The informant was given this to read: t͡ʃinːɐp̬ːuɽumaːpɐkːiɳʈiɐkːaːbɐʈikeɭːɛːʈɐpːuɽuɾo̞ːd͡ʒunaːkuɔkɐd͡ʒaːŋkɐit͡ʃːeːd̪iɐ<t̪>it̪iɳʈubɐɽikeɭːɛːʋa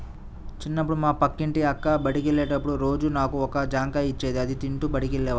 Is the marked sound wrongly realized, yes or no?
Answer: yes